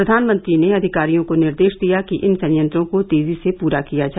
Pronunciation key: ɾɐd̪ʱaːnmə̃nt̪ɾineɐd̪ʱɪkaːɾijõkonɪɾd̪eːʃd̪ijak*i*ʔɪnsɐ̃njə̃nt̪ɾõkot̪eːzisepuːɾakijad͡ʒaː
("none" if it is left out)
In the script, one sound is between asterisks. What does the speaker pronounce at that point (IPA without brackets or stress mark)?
i